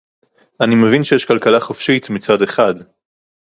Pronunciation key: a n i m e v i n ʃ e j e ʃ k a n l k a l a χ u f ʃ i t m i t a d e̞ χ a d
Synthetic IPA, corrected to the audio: a n i m e v i n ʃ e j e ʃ k a l k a l a χ o f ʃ i t m i t͡s a d e̞ χ a d